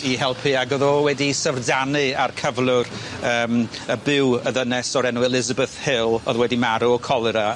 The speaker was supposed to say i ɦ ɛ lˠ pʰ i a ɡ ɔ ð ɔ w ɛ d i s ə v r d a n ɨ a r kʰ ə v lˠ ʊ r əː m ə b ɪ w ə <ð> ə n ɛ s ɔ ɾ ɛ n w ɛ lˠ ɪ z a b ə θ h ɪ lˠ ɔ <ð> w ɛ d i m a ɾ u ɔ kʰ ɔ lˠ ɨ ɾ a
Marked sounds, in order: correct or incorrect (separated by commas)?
correct, correct